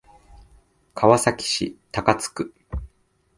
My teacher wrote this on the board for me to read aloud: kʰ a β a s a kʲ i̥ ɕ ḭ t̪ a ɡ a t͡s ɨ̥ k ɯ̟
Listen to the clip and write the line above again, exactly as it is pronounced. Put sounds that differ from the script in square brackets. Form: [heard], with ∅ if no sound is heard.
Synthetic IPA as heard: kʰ a β a s a kʲ i̥ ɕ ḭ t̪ a [k] a t͡s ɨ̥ k ɯ̟

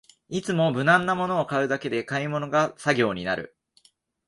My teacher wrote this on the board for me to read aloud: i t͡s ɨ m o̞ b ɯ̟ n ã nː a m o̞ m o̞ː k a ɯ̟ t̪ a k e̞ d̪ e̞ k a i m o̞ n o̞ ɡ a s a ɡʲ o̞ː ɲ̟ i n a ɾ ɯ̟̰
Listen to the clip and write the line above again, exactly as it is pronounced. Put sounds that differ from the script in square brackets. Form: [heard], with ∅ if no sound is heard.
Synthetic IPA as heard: i t͡s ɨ m o̞ b ɯ̟ n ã nː a m o̞ [n] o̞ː k a ɯ̟ [d̪] a k e̞ d̪ e̞ k a i m o̞ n o̞ ɡ a s a ɡʲ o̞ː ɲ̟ i n a ɾ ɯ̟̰

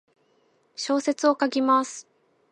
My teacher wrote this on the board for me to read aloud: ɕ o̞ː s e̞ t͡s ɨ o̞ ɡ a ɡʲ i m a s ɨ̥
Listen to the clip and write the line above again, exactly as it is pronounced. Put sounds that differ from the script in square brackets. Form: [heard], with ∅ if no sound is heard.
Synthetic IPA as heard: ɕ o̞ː s e̞ t͡s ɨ o̞ [k] a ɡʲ i m a s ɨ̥

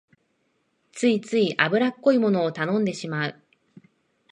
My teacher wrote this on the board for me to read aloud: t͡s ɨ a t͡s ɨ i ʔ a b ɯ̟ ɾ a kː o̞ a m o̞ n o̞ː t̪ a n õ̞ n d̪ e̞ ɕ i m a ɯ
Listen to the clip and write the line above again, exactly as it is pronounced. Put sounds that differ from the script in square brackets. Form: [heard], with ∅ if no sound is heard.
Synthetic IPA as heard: t͡s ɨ [i] t͡s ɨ i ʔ a b ɯ̟ ɾ a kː o̞ [i] m o̞ n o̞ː t̪ a n õ̞ n d̪ e̞ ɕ i m a ɯ

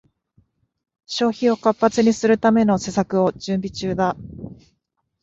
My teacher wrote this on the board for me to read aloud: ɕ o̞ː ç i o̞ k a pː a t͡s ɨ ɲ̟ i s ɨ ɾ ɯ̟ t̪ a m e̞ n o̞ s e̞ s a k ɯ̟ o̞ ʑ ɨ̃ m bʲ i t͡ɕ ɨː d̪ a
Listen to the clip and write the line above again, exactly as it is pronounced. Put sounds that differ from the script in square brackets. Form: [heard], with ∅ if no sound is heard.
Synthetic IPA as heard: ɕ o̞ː ç i o̞ k a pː a t͡s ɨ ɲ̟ i s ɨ ɾ ɯ̟ t̪ a m e̞ n o̞ s e̞ s a k ɯ̟ o̞ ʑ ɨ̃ m bʲ i t͡ɕ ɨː d̪ a

